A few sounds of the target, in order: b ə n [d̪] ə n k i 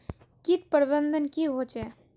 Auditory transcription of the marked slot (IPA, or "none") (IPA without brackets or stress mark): d̪